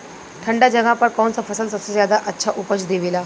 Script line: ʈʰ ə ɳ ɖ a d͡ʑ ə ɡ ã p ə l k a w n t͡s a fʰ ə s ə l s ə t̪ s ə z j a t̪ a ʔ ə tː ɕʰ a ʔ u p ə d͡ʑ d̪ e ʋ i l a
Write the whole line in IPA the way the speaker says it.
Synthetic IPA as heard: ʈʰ ə ɳ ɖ a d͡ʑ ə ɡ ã p ə ɾ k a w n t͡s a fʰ ə s ə l s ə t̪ s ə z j a d̪ a ʔ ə tː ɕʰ a ʔ u p ə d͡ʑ d̪ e ʋ i l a